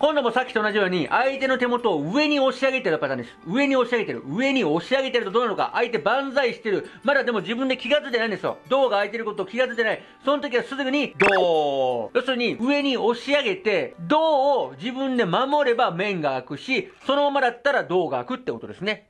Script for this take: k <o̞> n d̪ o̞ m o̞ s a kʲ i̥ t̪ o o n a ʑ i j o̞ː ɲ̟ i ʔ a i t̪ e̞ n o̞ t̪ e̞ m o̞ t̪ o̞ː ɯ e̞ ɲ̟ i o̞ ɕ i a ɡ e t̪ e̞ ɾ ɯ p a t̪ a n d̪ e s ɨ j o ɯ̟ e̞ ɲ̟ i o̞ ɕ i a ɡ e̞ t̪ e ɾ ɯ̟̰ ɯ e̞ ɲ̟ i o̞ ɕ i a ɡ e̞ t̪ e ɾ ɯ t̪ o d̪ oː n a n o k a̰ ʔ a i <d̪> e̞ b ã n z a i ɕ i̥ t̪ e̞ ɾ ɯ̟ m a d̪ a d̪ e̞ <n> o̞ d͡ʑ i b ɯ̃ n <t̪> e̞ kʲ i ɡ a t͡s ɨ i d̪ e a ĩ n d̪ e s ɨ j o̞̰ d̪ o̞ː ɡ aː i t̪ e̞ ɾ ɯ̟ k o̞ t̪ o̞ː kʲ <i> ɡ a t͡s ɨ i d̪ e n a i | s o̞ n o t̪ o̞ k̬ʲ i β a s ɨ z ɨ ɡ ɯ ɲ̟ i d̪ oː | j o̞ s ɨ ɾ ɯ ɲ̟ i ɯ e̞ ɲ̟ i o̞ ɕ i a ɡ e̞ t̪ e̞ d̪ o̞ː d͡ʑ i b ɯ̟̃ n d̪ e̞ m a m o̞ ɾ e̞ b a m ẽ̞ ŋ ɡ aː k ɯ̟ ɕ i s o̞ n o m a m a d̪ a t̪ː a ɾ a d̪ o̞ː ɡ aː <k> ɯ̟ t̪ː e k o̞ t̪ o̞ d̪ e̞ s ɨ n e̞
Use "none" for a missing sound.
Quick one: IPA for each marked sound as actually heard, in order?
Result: õ̞, t̪, m, d̪, i, k

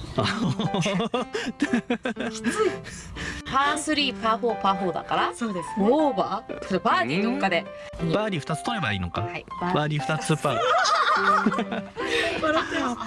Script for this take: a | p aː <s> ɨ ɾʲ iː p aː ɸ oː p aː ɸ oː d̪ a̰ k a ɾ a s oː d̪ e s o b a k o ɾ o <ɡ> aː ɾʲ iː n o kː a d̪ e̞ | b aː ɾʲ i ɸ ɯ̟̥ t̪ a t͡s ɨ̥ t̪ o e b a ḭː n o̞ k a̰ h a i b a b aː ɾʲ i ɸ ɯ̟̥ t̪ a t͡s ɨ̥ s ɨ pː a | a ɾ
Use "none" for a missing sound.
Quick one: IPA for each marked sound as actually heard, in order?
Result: s, b

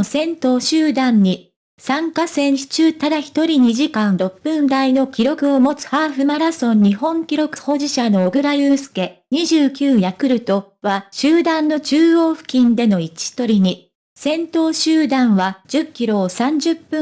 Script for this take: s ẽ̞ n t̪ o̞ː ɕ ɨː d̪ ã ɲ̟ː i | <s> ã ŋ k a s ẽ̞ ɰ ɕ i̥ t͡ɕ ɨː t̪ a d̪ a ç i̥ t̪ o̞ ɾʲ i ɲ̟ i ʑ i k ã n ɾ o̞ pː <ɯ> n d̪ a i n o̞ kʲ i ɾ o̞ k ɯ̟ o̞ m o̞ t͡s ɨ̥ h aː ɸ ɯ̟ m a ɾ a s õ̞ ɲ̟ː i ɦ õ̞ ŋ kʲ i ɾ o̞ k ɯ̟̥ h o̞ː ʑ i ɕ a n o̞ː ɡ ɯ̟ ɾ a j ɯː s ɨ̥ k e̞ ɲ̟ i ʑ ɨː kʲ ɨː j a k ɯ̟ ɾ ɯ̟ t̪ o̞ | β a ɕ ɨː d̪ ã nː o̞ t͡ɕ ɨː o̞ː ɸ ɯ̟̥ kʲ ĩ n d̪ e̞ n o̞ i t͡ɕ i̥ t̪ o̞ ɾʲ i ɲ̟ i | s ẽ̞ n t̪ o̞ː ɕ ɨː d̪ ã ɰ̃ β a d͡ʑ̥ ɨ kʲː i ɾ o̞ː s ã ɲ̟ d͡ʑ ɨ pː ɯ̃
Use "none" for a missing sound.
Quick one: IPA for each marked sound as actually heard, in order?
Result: s, ɯ̃

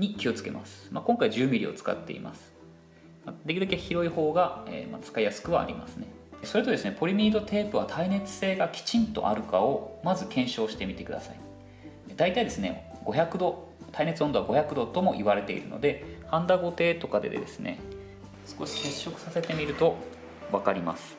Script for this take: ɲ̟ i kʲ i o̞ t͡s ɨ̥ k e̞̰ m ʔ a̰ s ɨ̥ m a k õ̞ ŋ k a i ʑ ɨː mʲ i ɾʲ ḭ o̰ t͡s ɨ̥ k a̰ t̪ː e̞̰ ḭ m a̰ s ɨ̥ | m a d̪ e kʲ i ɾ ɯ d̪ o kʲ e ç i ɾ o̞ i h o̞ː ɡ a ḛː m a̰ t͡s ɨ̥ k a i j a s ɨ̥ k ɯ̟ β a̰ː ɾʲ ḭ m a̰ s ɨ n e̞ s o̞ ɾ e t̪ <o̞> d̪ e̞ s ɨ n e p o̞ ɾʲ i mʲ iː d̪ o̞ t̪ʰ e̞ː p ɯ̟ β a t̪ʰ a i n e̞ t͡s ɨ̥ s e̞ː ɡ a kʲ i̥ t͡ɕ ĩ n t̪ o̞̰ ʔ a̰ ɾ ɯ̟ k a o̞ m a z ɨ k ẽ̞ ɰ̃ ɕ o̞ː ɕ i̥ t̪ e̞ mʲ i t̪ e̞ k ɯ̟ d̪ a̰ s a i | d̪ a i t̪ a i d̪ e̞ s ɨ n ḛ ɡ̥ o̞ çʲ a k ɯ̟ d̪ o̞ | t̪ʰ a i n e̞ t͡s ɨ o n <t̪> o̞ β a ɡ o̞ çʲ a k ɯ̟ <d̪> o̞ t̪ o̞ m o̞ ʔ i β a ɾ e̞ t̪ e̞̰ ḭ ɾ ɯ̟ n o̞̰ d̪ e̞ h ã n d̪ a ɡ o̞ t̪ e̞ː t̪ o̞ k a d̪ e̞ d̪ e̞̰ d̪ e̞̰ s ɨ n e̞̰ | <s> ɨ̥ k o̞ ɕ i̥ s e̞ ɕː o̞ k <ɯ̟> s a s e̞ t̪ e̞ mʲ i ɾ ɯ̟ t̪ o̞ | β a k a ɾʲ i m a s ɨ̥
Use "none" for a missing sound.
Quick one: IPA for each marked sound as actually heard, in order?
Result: o̞, d̪, d̪, s, ɯ̟

